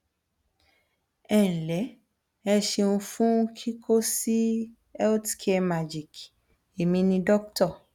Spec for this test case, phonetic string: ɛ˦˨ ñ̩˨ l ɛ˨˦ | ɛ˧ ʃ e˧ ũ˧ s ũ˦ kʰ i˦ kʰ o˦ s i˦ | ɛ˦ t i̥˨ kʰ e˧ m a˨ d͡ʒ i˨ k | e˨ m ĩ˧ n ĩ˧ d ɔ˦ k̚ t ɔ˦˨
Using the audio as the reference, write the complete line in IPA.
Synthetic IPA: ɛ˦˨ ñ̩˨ l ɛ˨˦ | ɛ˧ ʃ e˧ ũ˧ f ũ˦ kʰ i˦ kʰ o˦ s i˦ | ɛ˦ t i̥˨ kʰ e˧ m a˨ d͡ʒ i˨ k | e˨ m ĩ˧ n ĩ˧ d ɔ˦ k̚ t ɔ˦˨